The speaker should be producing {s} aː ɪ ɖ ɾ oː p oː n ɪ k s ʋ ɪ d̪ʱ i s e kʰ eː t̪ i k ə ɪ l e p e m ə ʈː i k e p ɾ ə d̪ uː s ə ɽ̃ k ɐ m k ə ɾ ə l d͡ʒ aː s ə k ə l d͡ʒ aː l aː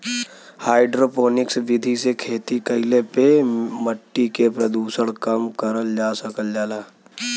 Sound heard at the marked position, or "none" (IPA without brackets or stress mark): h